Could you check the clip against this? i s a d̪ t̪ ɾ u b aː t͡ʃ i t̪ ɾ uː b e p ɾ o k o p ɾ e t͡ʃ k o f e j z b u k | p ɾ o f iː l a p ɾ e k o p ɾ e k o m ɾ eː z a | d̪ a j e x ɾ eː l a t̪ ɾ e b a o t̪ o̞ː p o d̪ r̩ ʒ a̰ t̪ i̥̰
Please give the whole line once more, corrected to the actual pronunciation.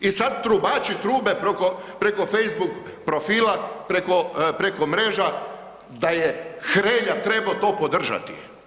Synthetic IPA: i s a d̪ t̪ ɾ u b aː t͡ʃ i t̪ ɾ uː b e p ɾ o k o p ɾ e k o f e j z b u k | p ɾ o f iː l a p ɾ e k o p ɾ e k o m ɾ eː ʒ a | d̪ a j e x ɾ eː ʎ a t̪ ɾ e b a o t̪ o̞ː p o d̪ r̩ ʒ a̰ t̪ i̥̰

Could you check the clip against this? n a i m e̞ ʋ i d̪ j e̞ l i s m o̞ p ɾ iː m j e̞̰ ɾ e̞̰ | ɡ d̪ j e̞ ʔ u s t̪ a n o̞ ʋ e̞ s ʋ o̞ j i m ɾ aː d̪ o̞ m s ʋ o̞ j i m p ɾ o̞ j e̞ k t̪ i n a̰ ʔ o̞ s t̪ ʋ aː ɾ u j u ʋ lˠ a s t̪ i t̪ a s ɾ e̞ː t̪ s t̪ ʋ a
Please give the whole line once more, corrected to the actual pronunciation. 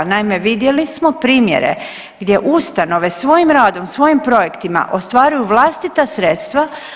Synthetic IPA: n a i m e̞ ʋ i d̪ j e̞ l i s m o̞ p ɾ iː m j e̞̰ ɾ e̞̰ | ɡ d̪ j e̞ ʔ u s t̪ a n o̞ ʋ e̞ s ʋ o̞ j i m ɾ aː d̪ o̞ m s ʋ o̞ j i m p ɾ o̞ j e̞ k t̪ i m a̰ ʔ o̞ s t̪ ʋ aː ɾ u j u ʋ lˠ a s t̪ i t̪ a s ɾ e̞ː t̪ s t̪ ʋ a

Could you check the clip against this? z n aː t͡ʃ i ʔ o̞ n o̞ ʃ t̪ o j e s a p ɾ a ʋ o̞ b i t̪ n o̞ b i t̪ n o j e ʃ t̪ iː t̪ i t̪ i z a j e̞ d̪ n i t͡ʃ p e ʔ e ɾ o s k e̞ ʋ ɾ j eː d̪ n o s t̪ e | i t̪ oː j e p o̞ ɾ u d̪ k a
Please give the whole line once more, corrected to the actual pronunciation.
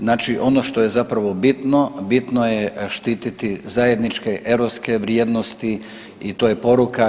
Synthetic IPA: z n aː t͡ʃ i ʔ o̞ n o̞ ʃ t̪ o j e z a p ɾ a ʋ o̞ b i t̪ n o̞ b i t̪ n o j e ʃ t̪ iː t̪ i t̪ i z a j e̞ d̪ n i t͡ʃ k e ʔ e ɾ o s k e̞ ʋ ɾ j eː d̪ n o s t̪ i | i t̪ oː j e p o̞ ɾ u k a

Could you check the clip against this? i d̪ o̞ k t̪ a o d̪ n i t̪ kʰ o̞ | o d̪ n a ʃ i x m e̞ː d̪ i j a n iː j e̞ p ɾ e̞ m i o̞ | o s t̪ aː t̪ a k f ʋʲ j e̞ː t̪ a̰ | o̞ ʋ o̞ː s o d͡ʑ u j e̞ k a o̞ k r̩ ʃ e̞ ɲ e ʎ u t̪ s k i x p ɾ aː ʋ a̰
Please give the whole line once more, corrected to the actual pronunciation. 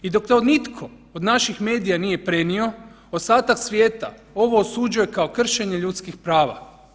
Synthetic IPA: i d̪ o̞ k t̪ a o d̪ n i t̪ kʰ o̞ | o d̪ n a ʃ i x m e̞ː d̪ i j a n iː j e̞ p ɾ e̞ n i o̞ | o s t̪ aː t̪ a k s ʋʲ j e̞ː t̪ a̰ | o̞ ʋ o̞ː s u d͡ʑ u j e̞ k a o̞ k r̩ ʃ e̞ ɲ e ʎ u t̪ s k i x p ɾ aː ʋ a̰

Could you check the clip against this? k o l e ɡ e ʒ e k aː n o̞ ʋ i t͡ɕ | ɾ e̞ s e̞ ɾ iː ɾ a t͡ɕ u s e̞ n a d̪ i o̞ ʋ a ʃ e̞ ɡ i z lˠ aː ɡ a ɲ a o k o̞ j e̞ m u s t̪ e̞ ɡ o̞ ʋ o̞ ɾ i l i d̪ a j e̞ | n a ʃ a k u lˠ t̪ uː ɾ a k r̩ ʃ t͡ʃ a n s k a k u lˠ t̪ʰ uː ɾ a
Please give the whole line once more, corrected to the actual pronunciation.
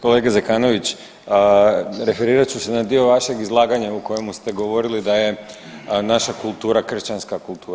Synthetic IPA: k o l e ɡ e z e k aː n o̞ ʋ i t͡ɕ | ɾ e̞ f e̞ ɾ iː ɾ a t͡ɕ u s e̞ n a d̪ i o̞ ʋ a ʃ e̞ ɡ i z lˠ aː ɡ a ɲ a u k o̞ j e̞ m u s t̪ e̞ ɡ o̞ ʋ o̞ ɾ i l i d̪ a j e̞ | n a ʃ a k u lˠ t̪ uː ɾ a k r̩ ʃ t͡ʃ a n s k a k u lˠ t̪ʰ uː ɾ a

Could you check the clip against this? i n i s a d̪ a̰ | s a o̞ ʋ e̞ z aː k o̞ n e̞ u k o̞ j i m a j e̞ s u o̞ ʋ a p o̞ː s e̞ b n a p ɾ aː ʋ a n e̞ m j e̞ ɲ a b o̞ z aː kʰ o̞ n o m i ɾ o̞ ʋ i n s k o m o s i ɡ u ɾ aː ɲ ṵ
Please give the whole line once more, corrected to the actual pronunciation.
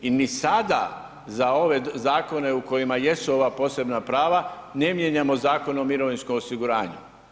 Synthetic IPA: i n i s a d̪ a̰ | z a o̞ ʋ e̞ z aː k o̞ n e̞ u k o̞ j i m a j e̞ s u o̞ ʋ a p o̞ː s e̞ b n a p ɾ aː ʋ a n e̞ m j e̞ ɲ a m o̞ z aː k o̞ n o m i ɾ o̞ ʋ i n s k o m o s i ɡ u ɾ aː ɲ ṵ

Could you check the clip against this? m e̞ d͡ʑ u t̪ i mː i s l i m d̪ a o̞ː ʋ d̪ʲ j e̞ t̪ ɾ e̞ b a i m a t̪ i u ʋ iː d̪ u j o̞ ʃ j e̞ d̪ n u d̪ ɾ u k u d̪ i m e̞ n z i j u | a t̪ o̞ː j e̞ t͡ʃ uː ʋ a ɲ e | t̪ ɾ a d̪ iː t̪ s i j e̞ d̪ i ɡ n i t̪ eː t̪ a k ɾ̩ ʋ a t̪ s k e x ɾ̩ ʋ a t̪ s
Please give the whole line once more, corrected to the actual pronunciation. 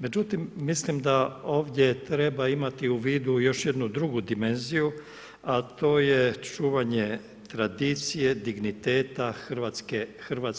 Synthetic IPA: m e̞ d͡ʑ u t̪ i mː i s l i m d̪ a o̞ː ʋ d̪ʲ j e̞ t̪ ɾ e̞ b a i m a t̪ i u ʋ iː d̪ u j o̞ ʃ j e̞ d̪ n u d̪ ɾ u ɡ u d̪ i m e̞ n z i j u | a t̪ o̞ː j e̞ t͡ʃ uː ʋ a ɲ e | t̪ ɾ a d̪ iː t̪ s i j e̞ d̪ i ɡ n i t̪ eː t̪ a x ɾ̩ ʋ a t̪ s k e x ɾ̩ ʋ a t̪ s

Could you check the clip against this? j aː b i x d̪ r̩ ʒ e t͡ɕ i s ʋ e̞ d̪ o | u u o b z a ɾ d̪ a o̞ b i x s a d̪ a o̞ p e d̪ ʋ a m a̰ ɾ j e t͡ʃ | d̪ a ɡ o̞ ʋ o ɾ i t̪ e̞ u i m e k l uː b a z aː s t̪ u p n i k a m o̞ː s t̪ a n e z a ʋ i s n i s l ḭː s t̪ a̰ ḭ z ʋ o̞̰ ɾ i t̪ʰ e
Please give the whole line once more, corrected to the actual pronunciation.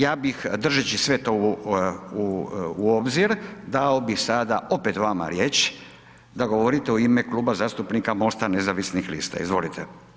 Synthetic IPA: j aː b i x d̪ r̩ ʒ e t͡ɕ i s ʋ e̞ t̪ o | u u o b z i ɾ d̪ a o̞ b i x s a d̪ a o̞ p e t̪ ʋ a m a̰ ɾ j e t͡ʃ | d̪ a ɡ o̞ ʋ o ɾ i t̪ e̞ u i m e k l uː b a z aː s t̪ u p n i k a m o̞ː s t̪ a n e z a ʋ i s n i x l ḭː s t̪ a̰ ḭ z ʋ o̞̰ l i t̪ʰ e

